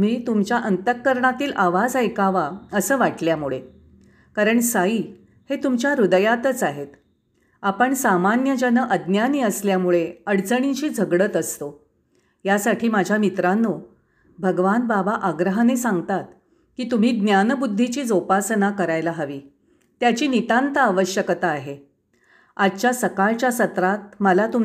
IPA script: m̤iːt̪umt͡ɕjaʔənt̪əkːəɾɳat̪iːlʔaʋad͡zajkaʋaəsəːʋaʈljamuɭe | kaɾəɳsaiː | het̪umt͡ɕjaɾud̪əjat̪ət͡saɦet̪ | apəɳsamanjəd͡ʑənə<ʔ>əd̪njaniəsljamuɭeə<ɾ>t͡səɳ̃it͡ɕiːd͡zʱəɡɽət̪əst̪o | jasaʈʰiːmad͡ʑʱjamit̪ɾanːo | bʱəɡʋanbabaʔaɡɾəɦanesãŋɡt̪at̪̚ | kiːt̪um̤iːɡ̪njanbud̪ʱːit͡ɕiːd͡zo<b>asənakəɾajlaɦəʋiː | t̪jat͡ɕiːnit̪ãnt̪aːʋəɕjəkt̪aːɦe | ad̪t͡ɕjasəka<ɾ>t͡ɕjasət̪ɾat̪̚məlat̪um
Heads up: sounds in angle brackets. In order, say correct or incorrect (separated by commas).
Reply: correct, incorrect, incorrect, incorrect